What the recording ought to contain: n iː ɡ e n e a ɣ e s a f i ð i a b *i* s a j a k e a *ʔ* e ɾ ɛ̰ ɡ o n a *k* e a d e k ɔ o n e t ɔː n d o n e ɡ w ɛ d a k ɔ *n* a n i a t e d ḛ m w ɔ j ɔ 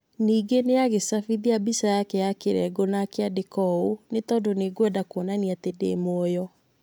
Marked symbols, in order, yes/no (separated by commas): yes, no, yes, yes